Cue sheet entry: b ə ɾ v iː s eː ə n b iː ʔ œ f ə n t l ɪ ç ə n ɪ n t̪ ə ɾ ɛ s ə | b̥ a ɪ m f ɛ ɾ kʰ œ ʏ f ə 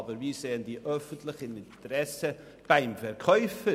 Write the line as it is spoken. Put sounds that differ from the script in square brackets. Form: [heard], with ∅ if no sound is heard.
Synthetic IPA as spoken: b ə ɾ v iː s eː ə n [d] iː ʔ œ f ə n t l ɪ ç ə n ɪ n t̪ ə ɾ ɛ s ə | b̥ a ɪ m f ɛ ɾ kʰ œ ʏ f ə